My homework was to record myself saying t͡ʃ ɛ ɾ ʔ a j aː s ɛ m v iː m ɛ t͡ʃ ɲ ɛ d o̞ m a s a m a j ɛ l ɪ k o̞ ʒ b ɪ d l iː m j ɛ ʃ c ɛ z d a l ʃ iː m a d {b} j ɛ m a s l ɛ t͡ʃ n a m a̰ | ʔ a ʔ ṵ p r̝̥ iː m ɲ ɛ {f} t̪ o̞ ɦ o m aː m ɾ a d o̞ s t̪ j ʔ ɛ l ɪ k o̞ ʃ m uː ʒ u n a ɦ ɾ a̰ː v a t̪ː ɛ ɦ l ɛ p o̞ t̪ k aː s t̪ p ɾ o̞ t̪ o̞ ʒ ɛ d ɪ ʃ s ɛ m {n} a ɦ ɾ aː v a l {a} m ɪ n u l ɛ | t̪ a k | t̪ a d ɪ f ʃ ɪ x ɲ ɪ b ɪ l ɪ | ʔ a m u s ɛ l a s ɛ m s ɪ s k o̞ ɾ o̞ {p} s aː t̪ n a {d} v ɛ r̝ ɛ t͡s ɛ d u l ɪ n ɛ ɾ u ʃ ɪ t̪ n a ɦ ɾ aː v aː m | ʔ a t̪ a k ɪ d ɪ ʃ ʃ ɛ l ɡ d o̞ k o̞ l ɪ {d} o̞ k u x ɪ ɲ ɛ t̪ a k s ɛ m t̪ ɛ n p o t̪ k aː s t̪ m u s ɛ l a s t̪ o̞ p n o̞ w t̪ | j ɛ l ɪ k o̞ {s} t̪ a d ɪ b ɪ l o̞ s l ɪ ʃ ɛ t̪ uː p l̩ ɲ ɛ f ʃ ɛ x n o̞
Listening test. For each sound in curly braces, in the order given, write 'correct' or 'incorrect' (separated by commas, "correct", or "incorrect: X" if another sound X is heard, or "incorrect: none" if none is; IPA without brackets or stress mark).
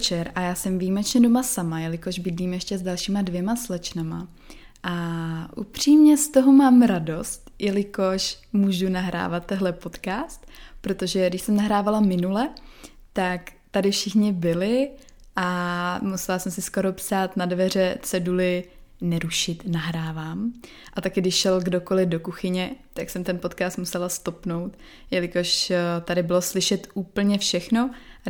incorrect: v, incorrect: s, correct, correct, correct, correct, correct, incorrect: ʃ